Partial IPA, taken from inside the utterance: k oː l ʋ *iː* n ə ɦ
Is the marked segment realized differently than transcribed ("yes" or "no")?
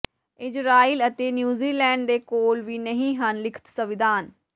no